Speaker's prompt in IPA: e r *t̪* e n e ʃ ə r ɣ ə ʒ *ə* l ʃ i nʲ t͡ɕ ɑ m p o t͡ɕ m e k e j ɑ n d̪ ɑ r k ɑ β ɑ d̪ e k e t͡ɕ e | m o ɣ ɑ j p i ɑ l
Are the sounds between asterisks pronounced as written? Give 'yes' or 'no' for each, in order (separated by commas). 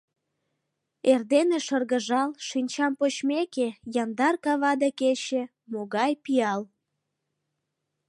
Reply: no, no